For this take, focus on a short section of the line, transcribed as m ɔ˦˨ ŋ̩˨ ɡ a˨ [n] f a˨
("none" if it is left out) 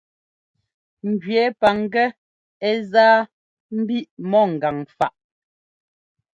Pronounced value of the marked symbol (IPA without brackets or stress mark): ŋ